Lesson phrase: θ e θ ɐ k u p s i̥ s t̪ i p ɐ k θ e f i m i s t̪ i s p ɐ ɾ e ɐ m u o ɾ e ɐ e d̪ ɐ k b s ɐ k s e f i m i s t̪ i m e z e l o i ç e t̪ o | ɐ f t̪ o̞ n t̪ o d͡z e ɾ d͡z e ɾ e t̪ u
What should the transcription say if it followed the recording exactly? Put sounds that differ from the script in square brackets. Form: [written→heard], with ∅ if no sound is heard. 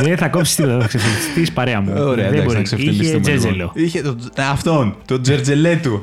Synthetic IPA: [θ→ð] e θ ɐ k [u→o] p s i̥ s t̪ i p ɐ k [θ→s] e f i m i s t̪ i s p ɐ ɾ e ɐ m u o ɾ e ɐ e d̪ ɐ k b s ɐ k s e f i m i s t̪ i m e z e l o i ç e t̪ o | ɐ f t̪ o̞ n t̪ o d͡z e ɾ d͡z e [ɾ→l] e t̪ u